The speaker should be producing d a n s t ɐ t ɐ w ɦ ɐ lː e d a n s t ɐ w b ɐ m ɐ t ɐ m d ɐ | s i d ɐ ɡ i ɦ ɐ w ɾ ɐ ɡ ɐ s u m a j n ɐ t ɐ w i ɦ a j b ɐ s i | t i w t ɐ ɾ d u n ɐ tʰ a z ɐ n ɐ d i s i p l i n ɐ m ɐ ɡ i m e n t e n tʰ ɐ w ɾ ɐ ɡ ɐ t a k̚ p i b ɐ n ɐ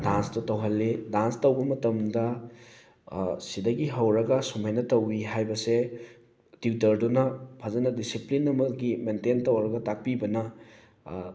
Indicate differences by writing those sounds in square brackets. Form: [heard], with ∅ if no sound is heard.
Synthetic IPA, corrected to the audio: d a n s t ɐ t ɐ w ɦ ɐ lː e d a n s t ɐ w b ɐ m ɐ t ɐ m d ɐ | s i d ɐ ɡ i ɦ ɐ w ɾ ɐ ɡ ɐ s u m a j n ɐ t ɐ w i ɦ a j b ɐ s [e] | t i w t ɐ ɾ d u n ɐ [pʰ] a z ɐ n ɐ d i s i p l i n ɐ m ɐ ɡ i m e n t e n [t] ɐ w ɾ ɐ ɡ ɐ t a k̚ p i b ɐ n ɐ

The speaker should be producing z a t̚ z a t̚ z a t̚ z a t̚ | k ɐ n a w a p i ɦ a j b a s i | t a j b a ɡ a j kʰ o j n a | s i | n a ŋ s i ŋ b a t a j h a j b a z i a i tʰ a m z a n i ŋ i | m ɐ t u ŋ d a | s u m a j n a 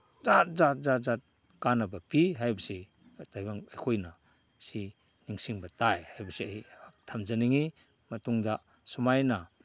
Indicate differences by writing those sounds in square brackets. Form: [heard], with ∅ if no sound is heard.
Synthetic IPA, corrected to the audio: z a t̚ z a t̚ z a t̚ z a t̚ | k [a] n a [b] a p i ɦ a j b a s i | t a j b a [ŋ] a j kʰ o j n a | s i | n [i] ŋ s i ŋ b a t a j h a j b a [s] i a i tʰ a m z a n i ŋ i | m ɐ t u ŋ d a | s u m a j n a

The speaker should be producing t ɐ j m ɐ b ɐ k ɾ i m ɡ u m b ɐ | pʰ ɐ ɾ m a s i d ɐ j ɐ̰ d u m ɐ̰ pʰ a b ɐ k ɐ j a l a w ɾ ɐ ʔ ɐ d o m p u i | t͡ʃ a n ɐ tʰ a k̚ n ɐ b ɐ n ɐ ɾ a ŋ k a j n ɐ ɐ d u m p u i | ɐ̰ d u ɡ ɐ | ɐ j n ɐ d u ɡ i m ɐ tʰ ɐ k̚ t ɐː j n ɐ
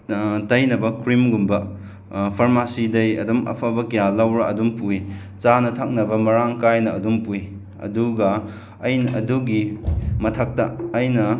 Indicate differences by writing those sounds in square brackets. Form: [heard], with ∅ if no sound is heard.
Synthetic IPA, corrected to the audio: t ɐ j [n] ɐ b ɐ k ɾ i m ɡ u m b ɐ | pʰ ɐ ɾ m a s i d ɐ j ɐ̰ d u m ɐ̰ pʰ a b ɐ k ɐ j a l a w ɾ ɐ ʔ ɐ d [u] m p u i | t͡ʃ a n ɐ tʰ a k̚ n ɐ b ɐ [m] ɐ ɾ a ŋ k a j n ɐ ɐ d u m p u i | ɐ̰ d u ɡ ɐ | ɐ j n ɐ d u ɡ i m ɐ tʰ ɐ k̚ t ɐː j n ɐ

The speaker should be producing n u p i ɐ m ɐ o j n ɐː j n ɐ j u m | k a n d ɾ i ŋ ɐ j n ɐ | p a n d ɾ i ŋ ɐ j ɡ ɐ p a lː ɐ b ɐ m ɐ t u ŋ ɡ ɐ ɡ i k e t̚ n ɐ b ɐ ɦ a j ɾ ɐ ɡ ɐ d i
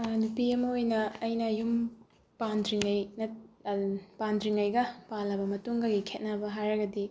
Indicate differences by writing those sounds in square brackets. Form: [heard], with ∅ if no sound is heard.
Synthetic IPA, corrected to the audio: n u p i ɐ m ɐ o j n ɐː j n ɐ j u m | [p] a n d ɾ i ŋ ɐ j n ɐ | p a n d ɾ i ŋ ɐ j ɡ ɐ p a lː ɐ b ɐ m ɐ t u ŋ ɡ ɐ ɡ i [kʰ] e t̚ n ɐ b ɐ ɦ a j ɾ ɐ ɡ ɐ d i

